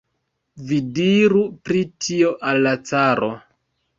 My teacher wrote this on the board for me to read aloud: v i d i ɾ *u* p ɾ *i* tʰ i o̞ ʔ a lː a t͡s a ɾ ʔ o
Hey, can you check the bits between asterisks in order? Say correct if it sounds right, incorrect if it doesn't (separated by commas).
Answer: correct, correct